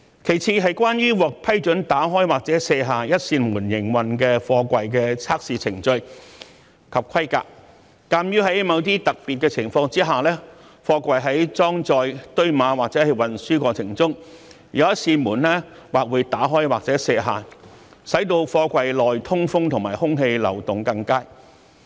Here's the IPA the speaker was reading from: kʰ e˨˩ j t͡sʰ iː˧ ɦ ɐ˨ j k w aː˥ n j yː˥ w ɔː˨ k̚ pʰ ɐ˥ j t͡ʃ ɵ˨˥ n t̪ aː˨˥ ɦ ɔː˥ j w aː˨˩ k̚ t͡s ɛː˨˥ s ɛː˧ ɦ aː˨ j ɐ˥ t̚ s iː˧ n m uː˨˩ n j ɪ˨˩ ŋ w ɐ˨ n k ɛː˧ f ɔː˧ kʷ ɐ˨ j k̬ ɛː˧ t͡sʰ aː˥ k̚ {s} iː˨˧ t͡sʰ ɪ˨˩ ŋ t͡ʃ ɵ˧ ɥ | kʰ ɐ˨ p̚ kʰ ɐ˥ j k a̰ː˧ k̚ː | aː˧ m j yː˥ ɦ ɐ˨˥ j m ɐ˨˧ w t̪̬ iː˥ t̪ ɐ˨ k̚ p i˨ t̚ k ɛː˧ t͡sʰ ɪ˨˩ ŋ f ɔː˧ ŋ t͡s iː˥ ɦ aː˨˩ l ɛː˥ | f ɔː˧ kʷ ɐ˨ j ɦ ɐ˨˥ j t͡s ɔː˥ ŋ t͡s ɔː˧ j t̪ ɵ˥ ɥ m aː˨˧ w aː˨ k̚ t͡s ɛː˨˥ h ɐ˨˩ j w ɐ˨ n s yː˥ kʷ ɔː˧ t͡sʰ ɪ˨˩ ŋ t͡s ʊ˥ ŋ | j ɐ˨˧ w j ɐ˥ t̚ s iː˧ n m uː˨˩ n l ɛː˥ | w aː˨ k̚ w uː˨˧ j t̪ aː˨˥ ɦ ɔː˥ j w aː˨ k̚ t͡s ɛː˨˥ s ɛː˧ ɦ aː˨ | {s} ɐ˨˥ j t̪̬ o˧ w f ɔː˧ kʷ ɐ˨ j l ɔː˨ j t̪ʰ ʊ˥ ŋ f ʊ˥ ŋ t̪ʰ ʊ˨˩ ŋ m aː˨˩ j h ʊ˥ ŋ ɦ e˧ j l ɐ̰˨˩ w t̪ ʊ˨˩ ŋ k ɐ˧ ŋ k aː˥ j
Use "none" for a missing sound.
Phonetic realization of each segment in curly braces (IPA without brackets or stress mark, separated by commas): s, s